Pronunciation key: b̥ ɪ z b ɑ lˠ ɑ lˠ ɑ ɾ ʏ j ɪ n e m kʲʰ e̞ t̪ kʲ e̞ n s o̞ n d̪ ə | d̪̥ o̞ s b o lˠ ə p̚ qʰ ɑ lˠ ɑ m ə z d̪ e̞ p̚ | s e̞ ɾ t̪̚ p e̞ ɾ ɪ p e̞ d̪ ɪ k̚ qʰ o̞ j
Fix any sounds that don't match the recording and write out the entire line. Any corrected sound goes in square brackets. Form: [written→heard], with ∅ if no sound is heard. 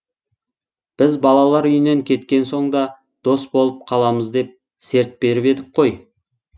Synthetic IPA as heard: b̥ ɪ z b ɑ lˠ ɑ lˠ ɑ ɾ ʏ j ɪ n e [m→ŋ] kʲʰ e̞ t̪ kʲ e̞ n s o̞ [n→ɴ] d̪ [ə→ɑ] | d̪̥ o̞ s b o lˠ ə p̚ qʰ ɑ lˠ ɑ m ə z d̪ e̞ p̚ | s e̞ ɾ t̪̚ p e̞ ɾ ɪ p e̞ d̪ ɪ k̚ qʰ o̞ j